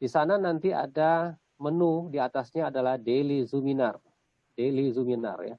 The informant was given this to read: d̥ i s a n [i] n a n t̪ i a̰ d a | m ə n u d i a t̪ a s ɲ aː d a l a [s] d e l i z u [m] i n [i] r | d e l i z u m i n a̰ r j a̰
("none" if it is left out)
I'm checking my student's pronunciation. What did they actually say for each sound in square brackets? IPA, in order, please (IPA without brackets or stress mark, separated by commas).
a, h, m, a